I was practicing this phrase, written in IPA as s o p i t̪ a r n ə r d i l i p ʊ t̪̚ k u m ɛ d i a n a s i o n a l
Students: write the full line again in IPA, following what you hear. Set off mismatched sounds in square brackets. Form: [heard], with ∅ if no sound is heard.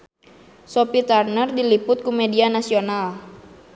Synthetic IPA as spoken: s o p i t̪ a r n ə r d i l i p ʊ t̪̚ k u m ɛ d i a n a s i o n a l